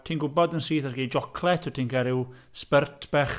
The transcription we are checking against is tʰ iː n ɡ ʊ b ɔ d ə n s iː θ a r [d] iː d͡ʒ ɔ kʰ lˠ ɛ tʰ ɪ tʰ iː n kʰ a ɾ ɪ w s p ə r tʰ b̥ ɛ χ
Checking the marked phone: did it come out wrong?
yes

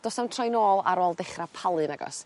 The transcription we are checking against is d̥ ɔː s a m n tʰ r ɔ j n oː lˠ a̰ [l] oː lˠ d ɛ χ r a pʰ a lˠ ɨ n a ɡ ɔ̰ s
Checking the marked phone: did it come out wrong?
yes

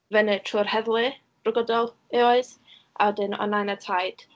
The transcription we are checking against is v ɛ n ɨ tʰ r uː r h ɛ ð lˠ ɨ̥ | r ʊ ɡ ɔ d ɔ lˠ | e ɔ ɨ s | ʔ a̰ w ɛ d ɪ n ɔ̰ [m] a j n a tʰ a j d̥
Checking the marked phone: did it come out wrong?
yes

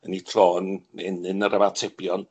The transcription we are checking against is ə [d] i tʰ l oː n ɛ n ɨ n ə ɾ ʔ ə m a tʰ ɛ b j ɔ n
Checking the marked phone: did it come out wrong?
yes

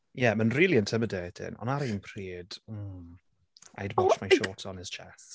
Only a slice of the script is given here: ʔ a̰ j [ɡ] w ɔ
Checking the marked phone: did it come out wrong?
yes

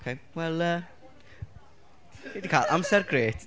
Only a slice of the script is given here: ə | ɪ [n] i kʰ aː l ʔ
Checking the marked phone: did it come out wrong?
yes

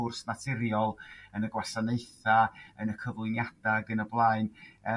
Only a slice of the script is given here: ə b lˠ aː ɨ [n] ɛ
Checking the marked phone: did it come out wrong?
no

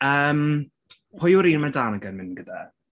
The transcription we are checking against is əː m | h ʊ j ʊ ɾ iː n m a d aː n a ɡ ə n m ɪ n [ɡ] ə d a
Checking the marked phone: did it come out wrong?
no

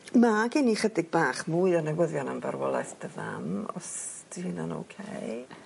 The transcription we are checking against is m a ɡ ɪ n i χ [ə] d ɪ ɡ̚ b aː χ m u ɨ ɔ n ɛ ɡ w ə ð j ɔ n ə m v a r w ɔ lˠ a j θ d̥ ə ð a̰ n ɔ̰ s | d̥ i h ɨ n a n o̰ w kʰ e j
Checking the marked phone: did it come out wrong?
no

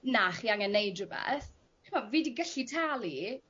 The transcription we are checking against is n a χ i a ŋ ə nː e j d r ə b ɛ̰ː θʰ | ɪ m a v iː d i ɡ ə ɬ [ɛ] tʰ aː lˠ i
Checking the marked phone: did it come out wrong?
yes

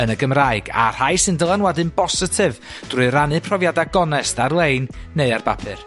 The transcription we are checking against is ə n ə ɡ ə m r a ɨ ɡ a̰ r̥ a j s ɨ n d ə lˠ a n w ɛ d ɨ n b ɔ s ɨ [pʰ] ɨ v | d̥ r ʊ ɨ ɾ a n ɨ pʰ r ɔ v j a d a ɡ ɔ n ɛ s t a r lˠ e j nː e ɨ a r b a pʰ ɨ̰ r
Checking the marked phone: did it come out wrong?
yes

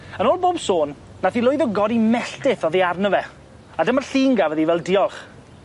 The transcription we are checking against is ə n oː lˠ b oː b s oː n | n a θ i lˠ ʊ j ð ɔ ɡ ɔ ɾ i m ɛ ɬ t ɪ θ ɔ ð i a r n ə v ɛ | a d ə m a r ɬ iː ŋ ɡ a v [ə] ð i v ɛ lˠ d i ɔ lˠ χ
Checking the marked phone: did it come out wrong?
no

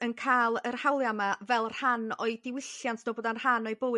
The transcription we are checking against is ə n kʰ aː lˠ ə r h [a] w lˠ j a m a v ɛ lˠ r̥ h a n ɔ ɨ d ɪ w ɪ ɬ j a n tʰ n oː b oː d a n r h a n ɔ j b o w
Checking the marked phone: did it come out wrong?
no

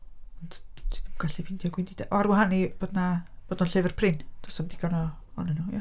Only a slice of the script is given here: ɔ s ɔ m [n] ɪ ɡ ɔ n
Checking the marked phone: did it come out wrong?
yes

